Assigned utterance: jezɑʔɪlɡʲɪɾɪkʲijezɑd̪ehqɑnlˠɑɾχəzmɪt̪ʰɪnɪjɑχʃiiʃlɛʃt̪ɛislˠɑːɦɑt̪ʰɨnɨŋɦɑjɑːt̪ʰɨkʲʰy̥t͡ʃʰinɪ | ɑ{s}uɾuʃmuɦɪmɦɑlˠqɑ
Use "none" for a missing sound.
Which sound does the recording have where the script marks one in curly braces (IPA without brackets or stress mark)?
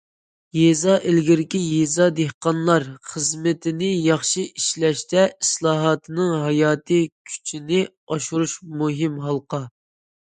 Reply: ʃ